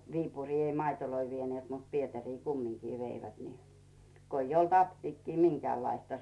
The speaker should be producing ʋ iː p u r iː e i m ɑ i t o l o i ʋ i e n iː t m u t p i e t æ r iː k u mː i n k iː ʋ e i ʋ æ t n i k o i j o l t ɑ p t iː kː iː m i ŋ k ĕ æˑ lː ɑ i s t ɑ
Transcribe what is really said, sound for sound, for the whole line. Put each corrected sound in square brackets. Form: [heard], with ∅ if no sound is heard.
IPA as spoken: ʋ iː p u r iː e i m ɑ i t o l o i ʋ i e n [eː] t m u t p i e t æ r iː k u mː i [ŋ] k iː ʋ e i ʋ æ t n i k o i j o l t ɑ p t iː kː iː m i ŋ k ĕ æˑ lː ɑ i s t ɑ